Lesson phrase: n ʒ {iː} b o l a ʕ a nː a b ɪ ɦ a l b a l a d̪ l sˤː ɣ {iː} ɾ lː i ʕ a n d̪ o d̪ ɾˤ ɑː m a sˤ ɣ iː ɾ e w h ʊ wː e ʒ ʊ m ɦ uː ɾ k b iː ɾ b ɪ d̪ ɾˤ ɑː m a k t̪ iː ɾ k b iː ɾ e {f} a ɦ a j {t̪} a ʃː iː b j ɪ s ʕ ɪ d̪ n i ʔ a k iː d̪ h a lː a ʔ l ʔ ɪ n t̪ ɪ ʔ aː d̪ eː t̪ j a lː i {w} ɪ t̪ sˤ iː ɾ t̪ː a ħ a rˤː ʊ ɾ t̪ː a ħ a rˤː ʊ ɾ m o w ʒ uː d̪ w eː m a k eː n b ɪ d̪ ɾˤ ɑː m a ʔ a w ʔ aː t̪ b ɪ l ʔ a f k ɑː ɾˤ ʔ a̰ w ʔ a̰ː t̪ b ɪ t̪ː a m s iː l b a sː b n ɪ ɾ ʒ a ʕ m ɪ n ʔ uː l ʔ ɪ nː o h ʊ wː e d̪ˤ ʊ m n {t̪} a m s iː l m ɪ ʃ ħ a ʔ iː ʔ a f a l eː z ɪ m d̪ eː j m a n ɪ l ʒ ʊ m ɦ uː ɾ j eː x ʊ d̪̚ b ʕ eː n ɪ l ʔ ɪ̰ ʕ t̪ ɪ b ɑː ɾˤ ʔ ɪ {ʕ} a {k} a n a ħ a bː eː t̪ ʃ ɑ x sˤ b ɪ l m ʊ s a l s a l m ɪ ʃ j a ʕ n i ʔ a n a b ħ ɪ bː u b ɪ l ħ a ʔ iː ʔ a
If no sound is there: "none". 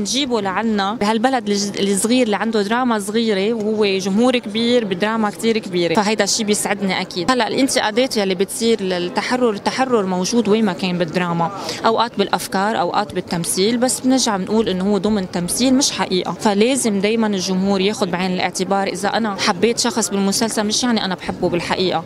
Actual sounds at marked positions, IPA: iː, iː, f, d̪, b, t̪, z, ʔ

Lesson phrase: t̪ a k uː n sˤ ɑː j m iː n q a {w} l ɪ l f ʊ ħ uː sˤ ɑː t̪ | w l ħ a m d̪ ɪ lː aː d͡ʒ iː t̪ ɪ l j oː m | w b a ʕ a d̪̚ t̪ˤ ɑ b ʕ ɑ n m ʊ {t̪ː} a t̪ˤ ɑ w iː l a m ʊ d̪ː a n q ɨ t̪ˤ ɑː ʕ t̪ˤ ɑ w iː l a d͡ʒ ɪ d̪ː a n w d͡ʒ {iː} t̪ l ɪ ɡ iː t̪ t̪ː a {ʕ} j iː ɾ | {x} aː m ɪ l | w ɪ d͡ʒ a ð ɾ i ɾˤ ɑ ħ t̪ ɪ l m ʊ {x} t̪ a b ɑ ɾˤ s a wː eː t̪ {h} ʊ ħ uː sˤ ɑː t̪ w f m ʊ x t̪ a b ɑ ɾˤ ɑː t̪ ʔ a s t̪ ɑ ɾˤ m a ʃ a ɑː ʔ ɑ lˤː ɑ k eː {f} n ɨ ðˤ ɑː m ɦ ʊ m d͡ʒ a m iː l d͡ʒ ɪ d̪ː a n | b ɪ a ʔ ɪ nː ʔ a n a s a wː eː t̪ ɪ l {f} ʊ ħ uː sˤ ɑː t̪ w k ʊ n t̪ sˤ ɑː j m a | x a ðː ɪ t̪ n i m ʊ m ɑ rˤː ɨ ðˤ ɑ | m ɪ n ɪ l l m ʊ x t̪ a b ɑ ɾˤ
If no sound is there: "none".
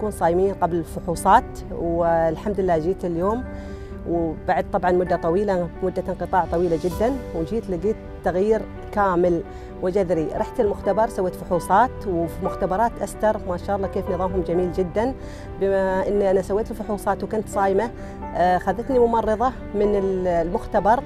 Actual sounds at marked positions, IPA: b, d̪ː, iː, ɣ, k, x, f, f, f

